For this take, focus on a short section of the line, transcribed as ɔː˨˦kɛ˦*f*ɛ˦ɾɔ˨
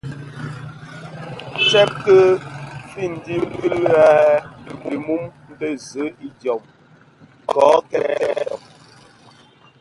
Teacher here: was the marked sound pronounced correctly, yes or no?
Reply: no